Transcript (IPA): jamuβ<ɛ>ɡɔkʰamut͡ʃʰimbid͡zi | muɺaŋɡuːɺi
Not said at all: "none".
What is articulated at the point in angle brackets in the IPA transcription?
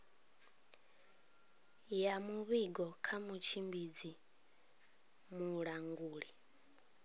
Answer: i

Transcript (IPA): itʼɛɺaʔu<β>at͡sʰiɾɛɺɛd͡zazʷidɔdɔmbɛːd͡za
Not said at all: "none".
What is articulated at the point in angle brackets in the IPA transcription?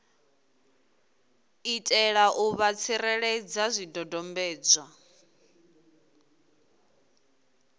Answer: β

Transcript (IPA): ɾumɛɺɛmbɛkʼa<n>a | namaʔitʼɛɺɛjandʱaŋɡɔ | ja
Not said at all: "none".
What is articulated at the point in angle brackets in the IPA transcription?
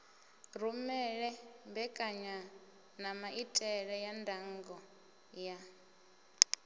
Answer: ɲ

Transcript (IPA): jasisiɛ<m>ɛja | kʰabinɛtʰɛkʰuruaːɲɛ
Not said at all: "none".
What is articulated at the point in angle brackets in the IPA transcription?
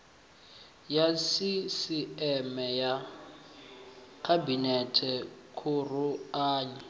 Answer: m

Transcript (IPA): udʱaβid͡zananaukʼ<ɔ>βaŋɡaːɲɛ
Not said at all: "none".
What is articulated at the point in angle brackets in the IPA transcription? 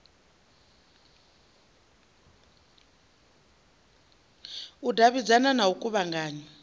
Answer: u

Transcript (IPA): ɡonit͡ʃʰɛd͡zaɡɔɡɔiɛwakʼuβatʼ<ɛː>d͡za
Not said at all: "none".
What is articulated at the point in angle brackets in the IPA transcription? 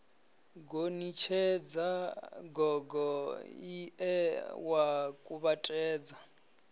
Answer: ɛː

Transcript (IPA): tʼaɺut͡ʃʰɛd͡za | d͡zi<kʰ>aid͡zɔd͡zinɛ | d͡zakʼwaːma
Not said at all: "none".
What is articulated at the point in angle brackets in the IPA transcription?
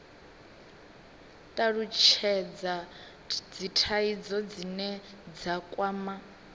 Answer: tʰ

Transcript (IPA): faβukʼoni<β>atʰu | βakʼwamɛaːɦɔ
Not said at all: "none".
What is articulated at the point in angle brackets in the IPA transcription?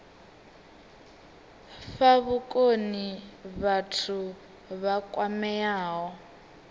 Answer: β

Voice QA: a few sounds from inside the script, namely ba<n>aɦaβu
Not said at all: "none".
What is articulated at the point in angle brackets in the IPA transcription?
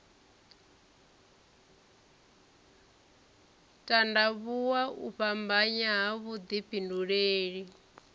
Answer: ɲ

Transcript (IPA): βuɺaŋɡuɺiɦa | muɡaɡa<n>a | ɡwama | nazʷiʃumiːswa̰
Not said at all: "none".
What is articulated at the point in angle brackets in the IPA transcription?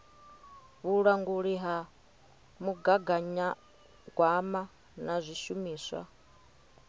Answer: ɲ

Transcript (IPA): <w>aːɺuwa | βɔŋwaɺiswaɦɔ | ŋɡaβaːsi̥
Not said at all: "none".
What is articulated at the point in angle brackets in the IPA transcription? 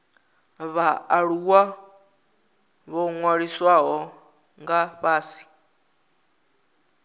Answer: β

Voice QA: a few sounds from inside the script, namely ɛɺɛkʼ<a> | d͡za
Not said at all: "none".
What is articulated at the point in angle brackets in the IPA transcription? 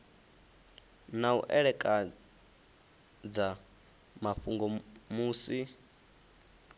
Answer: a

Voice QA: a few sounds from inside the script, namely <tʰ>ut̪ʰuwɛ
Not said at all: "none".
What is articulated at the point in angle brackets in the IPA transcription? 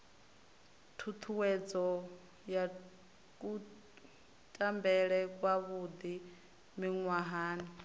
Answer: tʰ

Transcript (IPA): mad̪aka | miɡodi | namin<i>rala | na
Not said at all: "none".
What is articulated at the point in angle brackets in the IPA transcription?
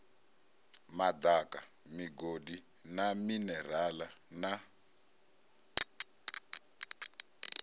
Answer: ɛ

